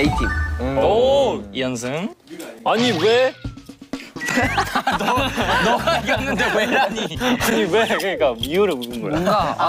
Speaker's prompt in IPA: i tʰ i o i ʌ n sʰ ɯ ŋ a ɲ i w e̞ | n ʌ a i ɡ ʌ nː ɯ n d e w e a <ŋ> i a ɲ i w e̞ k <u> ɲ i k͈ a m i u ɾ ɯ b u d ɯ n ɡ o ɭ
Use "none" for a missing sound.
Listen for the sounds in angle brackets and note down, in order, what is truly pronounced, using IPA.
ɲ, ɯ

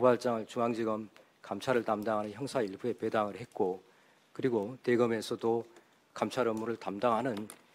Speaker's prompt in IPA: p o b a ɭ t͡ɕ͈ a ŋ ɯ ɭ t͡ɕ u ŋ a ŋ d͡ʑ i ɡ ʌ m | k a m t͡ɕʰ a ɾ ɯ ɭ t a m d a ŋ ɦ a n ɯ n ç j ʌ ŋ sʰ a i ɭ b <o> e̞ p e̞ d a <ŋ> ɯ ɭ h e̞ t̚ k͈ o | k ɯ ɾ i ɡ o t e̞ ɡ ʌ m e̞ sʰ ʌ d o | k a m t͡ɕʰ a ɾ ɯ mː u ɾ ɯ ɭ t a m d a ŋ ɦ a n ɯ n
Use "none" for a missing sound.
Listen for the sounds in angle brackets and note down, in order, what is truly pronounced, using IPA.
u, ŋ

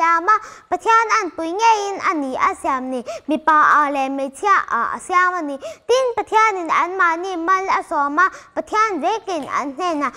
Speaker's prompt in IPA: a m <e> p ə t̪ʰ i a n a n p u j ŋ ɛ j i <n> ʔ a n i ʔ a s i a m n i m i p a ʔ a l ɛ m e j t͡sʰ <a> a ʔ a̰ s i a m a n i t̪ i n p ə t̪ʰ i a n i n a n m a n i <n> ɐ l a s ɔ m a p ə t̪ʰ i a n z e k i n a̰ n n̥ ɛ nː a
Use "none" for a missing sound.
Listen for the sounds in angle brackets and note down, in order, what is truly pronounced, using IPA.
a, n, i, m

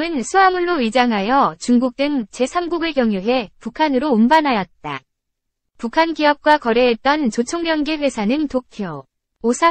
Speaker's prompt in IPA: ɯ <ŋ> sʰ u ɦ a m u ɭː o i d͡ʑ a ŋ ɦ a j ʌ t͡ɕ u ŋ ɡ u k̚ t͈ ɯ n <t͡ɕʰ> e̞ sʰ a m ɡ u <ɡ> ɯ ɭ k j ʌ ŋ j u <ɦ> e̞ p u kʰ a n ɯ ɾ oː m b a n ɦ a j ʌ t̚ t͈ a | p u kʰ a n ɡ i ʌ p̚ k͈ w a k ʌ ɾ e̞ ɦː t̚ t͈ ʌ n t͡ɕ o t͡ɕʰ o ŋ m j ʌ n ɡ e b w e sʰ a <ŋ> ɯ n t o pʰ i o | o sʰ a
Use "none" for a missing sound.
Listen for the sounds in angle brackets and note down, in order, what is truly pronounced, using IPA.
n, t͡ɕ, ɡ, ɦ, n

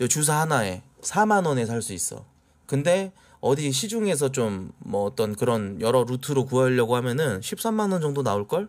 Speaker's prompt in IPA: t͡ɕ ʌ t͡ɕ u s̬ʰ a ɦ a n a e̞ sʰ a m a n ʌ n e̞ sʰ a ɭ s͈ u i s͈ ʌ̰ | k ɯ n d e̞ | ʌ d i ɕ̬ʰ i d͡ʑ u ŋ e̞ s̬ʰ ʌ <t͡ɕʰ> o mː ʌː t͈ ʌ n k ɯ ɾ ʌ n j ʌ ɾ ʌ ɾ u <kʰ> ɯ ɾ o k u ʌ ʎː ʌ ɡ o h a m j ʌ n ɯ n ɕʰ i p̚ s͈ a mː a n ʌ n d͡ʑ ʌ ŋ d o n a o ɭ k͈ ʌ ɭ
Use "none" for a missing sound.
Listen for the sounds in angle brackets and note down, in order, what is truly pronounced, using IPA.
t͡ɕ, tʰ

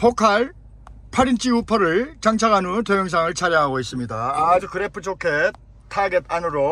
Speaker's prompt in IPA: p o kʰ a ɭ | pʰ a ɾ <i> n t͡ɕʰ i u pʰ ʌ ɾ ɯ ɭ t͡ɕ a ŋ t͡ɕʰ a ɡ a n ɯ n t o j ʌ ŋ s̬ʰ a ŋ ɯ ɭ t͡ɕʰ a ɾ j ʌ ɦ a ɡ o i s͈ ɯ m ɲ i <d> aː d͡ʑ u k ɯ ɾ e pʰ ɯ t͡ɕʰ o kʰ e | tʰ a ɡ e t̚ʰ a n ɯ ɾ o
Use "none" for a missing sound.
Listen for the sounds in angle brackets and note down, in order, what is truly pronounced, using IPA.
i, d

